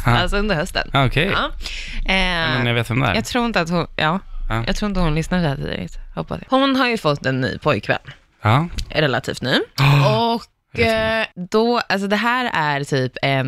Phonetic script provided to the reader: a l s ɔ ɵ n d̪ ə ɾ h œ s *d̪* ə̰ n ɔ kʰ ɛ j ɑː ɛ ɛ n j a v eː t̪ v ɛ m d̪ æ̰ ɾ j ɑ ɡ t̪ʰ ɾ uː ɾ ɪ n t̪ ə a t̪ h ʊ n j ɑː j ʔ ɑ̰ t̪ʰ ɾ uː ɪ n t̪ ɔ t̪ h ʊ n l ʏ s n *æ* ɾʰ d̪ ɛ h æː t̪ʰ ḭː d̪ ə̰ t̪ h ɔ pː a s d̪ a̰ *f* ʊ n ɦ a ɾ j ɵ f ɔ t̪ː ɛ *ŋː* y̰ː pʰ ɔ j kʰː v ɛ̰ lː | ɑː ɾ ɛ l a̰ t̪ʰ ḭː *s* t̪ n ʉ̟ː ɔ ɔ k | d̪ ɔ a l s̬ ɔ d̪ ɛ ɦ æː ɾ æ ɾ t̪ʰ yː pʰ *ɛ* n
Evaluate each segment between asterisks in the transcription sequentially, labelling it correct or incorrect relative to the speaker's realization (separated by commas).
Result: incorrect, incorrect, incorrect, incorrect, incorrect, correct